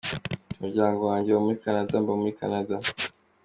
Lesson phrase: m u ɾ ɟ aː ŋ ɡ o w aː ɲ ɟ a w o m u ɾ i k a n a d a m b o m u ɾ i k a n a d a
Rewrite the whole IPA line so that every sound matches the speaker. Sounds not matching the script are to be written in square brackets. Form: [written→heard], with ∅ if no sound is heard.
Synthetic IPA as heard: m u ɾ ɟ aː ŋ ɡ o w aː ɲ ɟ [a→e] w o m u ɾ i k a n a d a m b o m u ɾ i k a n a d a

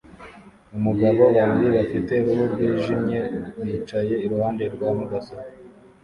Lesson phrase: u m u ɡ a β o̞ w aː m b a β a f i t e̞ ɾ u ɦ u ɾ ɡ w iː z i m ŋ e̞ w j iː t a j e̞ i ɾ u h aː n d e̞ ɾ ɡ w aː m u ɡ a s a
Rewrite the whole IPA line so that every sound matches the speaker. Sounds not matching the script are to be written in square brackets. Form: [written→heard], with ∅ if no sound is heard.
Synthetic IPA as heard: u m u ɡ a β o̞ w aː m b [a→i] β a f i t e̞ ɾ u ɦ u ɾ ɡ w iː [z→ʒ] i m [ŋ→ɲ] e̞ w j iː [t→t͡ʃ] a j e̞ i ɾ u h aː n d e̞ ɾ ɡ w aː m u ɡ a s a

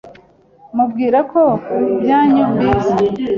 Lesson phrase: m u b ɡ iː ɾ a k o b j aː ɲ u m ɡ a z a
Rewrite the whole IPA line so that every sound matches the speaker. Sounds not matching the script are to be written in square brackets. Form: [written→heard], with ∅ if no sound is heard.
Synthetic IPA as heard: m u b ɡ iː ɾ a k o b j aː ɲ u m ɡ [a→i] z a

